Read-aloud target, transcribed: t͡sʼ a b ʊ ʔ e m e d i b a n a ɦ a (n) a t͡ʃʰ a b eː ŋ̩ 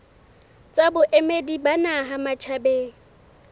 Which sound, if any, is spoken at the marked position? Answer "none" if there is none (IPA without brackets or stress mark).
m